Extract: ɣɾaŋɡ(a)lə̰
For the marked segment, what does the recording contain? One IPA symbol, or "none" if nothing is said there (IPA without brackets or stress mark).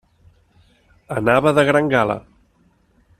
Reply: a